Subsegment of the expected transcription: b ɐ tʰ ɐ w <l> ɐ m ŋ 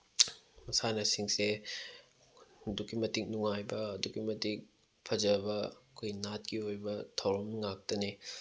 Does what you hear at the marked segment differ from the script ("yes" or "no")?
yes